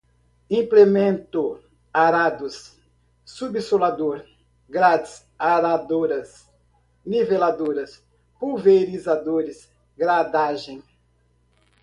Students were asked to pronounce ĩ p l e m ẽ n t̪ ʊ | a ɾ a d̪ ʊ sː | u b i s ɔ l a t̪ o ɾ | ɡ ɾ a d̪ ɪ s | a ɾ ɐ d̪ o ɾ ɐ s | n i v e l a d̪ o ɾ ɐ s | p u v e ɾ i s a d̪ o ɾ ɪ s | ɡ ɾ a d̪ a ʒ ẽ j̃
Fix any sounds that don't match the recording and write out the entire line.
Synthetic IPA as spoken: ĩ p l e m ẽ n t̪ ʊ | a ɾ a d̪ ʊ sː | u b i s o l a d̪ o ɾ | ɡ ɾ a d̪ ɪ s | a ɾ a d̪ o ɾ ɐ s | n i v e l a d̪ o ɾ ɐ s | p u v e ɾ i z a d̪ o ɾ ɪ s | ɡ ɾ a d̪ a ʒ ẽ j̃